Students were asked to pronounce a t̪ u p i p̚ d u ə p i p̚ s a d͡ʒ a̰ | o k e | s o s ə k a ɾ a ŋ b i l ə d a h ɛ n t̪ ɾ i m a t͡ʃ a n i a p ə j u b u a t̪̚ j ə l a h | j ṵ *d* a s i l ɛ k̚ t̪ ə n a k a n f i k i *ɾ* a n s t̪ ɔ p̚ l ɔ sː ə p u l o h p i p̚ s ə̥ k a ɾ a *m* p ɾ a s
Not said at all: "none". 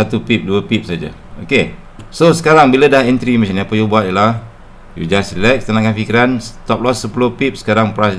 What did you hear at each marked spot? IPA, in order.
d͡ʒ, ɾ, ŋ

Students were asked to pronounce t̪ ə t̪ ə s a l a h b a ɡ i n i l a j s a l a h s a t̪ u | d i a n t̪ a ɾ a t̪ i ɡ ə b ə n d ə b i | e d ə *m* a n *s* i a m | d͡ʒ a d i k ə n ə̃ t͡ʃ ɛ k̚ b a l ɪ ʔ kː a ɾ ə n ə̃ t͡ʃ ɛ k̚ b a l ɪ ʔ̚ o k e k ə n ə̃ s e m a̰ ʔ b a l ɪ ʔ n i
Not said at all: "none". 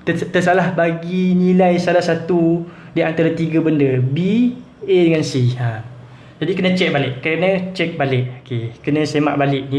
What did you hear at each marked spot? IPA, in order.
ŋ, s

